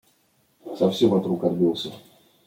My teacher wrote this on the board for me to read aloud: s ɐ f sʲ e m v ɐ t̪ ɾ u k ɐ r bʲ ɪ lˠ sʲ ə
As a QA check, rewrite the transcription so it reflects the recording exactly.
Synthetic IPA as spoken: s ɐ f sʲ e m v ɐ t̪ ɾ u k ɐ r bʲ i lˠ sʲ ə